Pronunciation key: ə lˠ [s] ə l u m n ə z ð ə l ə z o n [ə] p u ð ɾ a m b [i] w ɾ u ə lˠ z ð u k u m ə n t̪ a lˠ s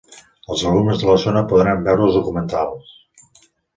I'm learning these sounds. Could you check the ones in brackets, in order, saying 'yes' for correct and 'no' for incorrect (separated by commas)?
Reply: no, yes, no